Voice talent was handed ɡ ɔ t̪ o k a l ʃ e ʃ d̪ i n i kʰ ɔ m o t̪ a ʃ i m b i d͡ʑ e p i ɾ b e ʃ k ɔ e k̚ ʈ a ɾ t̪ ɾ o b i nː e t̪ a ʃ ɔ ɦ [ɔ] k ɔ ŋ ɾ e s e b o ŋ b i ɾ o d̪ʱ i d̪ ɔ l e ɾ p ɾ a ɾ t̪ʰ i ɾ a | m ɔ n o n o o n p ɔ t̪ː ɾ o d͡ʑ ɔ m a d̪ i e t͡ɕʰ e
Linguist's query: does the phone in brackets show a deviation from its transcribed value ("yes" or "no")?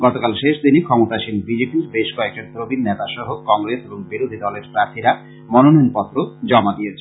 yes